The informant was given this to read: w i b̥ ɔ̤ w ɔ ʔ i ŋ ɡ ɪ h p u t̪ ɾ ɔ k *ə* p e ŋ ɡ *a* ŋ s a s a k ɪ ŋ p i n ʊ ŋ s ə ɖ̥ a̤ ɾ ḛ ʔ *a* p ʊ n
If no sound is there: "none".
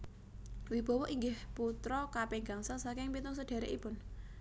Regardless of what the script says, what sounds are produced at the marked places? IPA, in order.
a, a, i

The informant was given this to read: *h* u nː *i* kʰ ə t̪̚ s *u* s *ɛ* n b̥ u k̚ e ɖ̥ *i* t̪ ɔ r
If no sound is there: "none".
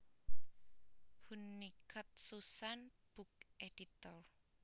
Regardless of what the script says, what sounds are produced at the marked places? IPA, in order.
h, i, u, a, i

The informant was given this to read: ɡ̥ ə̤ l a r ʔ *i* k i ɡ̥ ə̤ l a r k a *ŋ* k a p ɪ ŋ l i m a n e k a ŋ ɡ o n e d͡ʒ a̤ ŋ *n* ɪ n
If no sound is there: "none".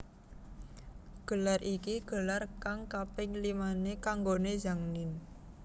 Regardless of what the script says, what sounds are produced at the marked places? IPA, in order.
i, ŋ, n

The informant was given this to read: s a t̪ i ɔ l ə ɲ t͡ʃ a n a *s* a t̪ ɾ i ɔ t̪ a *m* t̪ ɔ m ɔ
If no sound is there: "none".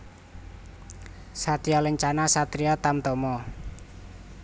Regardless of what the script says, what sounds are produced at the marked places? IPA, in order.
s, m

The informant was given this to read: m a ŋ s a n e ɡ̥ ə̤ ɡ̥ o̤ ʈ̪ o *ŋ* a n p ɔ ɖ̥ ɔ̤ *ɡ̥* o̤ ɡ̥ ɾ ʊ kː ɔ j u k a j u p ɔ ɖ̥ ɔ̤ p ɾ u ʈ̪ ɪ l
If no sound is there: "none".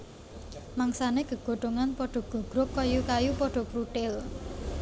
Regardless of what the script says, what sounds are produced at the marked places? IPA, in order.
ŋ, ɡ̥

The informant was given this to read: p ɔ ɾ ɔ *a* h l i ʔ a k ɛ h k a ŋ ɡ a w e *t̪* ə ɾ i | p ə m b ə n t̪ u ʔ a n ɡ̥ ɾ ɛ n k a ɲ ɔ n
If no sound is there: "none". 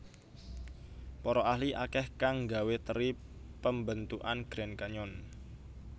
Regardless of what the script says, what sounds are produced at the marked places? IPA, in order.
a, t̪

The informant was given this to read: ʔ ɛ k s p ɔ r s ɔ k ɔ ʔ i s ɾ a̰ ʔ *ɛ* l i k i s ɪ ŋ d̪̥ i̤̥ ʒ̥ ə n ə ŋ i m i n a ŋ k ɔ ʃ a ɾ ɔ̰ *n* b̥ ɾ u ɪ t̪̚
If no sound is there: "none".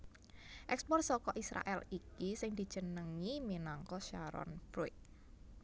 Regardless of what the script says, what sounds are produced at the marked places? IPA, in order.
ɛ, n

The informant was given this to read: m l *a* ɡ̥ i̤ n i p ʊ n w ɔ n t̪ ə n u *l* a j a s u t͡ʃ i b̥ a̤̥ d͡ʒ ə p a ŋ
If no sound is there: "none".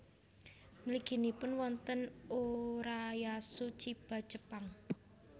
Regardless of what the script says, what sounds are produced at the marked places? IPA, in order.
i, ɾ

